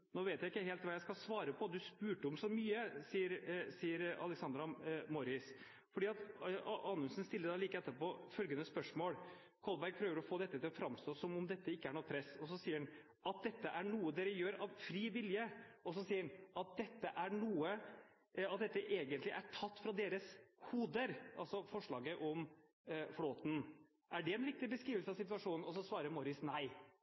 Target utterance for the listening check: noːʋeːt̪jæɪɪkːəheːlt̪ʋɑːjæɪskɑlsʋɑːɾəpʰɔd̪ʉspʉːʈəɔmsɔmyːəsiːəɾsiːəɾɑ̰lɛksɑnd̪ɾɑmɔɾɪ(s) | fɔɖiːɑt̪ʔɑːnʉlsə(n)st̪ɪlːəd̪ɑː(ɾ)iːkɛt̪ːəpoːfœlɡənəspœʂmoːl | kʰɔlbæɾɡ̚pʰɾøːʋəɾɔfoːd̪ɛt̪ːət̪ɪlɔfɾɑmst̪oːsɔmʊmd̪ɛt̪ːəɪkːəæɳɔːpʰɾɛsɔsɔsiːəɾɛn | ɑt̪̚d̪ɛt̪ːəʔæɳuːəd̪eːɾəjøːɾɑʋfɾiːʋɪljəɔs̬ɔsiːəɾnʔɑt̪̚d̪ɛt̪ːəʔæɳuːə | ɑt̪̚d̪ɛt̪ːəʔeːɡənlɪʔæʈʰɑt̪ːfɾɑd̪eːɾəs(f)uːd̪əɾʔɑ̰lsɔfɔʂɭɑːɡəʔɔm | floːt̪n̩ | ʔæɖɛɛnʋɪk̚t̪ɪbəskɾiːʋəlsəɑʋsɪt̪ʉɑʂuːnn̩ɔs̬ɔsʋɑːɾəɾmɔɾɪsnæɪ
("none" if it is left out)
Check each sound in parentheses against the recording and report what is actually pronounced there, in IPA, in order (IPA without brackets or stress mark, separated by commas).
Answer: s, n, l, h